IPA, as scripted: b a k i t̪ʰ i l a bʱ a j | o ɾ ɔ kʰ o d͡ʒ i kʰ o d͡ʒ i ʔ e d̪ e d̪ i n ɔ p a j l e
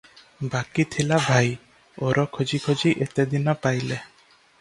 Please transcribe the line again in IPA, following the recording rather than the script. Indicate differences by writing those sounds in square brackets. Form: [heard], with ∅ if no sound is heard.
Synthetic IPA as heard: b a k i t̪ʰ i l a bʱ a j | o ɾ ɔ kʰ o d͡ʒ i kʰ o d͡ʒ i ʔ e [t̪] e d̪ i n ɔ p a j l e